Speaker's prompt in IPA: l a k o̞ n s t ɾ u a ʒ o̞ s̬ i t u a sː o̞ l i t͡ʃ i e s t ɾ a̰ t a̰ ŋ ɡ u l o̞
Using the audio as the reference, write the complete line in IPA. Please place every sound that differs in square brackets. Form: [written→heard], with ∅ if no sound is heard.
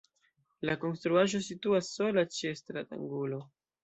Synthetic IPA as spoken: l a k o̞ n s t ɾ u a ʒ o̞ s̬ i t u a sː o̞ l [i→a] t͡ʃ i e s t ɾ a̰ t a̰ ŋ ɡ u l o̞